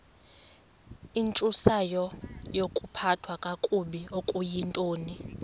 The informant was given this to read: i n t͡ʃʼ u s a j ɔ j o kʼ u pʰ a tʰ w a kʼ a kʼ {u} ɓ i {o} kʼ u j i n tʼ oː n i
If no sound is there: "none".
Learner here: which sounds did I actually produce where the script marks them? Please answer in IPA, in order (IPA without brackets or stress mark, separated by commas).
u, o